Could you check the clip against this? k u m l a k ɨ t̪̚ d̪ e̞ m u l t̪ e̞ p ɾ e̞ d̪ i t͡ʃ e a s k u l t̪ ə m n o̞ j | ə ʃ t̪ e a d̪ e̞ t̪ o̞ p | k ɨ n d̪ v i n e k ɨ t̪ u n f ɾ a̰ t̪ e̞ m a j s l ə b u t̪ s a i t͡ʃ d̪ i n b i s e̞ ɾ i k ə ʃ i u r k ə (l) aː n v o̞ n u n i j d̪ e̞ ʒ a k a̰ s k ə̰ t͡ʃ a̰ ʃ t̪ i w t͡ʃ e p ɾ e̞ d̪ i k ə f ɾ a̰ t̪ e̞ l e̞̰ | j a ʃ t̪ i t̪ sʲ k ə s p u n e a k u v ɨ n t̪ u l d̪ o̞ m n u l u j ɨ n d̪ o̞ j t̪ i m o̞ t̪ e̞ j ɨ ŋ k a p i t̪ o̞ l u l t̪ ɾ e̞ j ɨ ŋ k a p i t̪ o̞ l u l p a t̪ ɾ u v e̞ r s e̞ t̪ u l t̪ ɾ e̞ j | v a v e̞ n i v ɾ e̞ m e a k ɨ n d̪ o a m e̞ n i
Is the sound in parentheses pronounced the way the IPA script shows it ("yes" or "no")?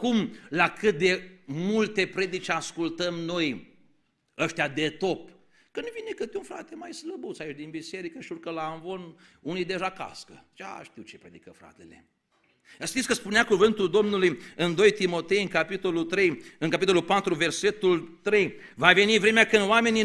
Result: yes